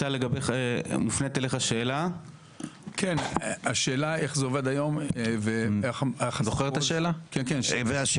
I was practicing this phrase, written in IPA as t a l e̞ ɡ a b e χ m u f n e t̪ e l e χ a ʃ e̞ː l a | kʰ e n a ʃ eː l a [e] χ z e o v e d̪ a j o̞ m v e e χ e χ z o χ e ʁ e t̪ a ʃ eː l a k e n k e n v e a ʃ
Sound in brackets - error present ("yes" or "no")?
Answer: no